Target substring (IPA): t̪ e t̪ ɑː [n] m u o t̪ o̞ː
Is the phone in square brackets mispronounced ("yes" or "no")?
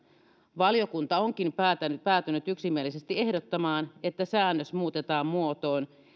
yes